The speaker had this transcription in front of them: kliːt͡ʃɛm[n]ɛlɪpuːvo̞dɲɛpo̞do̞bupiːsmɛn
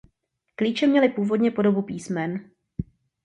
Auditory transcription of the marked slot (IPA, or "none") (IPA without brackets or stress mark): ɲ